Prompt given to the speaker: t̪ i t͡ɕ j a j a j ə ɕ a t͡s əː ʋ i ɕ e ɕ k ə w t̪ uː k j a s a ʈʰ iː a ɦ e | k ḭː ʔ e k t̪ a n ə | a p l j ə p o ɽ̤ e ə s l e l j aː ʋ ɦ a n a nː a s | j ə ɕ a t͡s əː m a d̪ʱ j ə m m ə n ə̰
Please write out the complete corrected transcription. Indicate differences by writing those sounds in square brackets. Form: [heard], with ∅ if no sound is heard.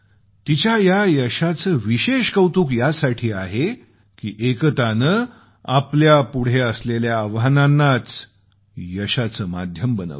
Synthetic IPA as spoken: t̪ i t͡ɕ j a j a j ə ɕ a t͡s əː ʋ i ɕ e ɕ k ə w t̪ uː k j a s a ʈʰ iː a ɦ e | k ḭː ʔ e k t̪ a n ə | a p l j [a] p [u] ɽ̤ e ə s l e l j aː ʋ ɦ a n a nː a [t͡s] | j ə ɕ a t͡s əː m a d̪ʱ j ə m [b] ə n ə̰